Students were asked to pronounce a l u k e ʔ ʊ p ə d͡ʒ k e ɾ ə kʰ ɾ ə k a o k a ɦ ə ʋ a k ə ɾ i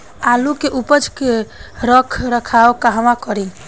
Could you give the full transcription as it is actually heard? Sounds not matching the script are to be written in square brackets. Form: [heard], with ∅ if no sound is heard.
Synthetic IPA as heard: a l u k e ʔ [u] p ə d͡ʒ k e ɾ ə kʰ ɾ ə [kʰ] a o k a ɦ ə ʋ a k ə ɾ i